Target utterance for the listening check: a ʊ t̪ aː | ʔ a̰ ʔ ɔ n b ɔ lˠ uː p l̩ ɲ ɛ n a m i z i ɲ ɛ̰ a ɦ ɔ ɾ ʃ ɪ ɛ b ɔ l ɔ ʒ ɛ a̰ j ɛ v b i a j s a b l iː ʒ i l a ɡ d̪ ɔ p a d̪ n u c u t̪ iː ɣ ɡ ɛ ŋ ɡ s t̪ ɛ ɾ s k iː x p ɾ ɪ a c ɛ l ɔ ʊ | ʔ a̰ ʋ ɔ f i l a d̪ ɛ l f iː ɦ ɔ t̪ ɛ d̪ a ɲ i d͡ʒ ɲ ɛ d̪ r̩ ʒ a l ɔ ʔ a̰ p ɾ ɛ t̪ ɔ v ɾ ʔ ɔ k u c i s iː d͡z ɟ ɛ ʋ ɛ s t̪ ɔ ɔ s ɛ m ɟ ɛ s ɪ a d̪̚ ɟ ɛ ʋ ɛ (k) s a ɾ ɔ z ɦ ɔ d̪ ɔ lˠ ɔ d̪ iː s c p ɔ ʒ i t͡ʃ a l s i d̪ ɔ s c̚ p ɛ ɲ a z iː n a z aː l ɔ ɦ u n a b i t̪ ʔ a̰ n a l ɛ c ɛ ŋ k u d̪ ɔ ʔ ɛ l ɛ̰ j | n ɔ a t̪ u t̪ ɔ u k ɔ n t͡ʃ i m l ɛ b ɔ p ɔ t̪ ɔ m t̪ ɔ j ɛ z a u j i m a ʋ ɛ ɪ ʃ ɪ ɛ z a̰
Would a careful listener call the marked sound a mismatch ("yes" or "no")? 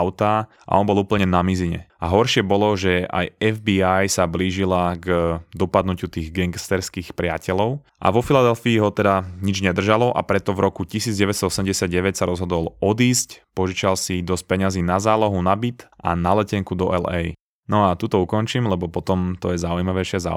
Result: yes